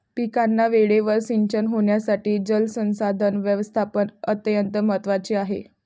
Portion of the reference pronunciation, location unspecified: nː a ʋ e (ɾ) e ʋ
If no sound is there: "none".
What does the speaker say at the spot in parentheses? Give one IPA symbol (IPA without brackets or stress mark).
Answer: ɭ